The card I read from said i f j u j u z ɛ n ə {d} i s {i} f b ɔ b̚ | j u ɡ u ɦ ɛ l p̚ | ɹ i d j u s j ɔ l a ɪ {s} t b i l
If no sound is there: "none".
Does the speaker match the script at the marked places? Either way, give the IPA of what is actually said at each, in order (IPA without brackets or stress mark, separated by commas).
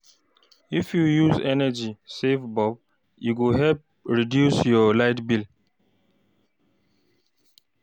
d͡ʒ, e, none